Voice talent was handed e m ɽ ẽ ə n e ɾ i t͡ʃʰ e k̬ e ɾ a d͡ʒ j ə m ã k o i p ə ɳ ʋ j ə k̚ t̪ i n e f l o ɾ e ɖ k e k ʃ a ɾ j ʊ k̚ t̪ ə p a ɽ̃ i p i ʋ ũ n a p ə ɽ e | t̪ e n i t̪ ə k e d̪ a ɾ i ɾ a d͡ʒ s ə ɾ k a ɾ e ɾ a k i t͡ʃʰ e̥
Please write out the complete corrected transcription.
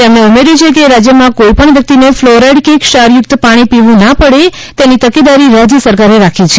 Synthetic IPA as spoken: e m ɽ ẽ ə m e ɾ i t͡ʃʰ e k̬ e ɾ a d͡ʒ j ə m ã k o i p ə ɳ ʋ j ə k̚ t̪ i n e f l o ɾ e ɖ k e k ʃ a ɾ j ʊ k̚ t̪ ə p a ɽ̃ i p i ʋ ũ n a p ə ɽ e | t̪ e n i t̪ ə k e d̪ a ɾ i ɾ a d͡ʒ s ə ɾ k a ɾ e ɾ a kʰ i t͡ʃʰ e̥